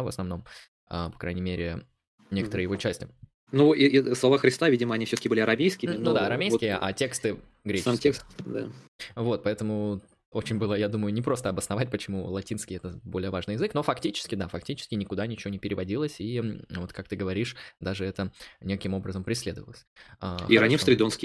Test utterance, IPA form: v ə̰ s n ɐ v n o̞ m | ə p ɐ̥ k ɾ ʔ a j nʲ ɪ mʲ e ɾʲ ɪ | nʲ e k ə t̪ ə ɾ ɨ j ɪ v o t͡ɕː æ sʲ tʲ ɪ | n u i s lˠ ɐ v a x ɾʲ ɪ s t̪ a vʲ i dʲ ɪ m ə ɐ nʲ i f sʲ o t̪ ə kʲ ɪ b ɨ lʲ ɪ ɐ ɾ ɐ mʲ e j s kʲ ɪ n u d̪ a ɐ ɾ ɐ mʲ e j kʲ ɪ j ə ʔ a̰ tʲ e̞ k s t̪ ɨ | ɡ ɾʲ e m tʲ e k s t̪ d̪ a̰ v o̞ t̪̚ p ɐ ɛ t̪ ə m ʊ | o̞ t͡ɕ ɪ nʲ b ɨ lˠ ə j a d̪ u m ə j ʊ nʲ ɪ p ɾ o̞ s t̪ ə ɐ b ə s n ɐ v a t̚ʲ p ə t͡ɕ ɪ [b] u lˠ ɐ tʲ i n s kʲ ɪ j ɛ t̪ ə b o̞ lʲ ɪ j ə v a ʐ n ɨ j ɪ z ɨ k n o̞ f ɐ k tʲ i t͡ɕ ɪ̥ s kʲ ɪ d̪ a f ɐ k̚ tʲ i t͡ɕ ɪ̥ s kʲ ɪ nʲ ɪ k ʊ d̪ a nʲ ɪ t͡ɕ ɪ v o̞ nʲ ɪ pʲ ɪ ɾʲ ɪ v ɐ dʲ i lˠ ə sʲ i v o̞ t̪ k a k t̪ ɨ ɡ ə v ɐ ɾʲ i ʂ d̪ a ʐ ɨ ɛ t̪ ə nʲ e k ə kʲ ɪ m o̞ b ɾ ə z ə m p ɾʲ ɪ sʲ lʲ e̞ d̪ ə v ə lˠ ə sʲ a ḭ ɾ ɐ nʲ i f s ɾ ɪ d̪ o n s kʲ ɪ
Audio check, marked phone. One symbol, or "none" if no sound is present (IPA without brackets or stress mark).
m